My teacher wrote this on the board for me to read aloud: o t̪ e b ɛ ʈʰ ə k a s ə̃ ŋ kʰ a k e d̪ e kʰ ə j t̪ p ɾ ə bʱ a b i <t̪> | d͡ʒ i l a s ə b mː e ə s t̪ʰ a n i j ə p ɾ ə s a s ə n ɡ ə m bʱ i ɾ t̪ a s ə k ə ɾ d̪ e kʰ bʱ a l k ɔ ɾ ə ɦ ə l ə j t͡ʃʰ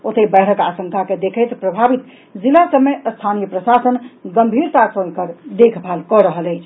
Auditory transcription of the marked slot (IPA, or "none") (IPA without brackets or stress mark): t̪